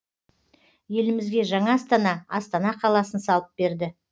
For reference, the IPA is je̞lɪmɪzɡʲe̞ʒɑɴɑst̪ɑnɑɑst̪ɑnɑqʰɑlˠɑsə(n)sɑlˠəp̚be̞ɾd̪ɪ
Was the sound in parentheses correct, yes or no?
yes